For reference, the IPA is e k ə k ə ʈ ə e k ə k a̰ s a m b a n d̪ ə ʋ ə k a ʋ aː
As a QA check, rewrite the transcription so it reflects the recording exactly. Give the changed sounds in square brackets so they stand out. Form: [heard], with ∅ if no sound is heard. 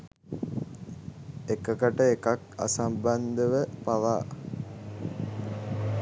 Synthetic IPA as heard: e k ə k ə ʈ ə e k [a] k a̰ s a m b a n d̪ ə ʋ ə [p] a ʋ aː